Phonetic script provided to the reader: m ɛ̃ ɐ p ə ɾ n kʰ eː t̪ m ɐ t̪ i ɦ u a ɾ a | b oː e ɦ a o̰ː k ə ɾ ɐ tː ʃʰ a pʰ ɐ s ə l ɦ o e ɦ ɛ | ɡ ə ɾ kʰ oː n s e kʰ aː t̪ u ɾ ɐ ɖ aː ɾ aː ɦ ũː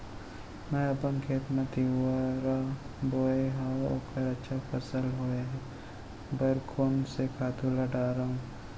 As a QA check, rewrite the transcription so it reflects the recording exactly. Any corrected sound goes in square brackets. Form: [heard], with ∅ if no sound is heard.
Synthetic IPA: m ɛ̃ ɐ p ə [∅] n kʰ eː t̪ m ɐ t̪ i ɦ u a ɾ a | b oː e ɦ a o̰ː k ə ɾ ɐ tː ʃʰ a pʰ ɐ s ə l ɦ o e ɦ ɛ | [b] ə ɾ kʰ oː n s e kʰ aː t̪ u [l] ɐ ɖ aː ɾ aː ɦ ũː